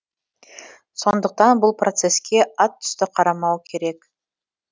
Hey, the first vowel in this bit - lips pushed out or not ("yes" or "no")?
yes